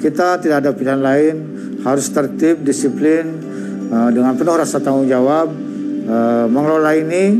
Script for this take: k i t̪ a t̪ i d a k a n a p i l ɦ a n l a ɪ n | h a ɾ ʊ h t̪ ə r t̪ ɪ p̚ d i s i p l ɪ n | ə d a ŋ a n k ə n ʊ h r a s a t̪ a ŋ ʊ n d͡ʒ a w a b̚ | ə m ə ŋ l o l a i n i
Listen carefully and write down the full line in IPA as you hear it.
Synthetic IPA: k i t̪ a t̪ i d a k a d a p i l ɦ a n l a ɪ n | h a ɾ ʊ s t̪ ə r t̪ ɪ p̚ d i s i p l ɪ n | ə d ə ŋ a n p ə n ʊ h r a s a t̪ a ŋ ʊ ŋ d͡ʒ a w a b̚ | ə m ə ŋ l o l a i n i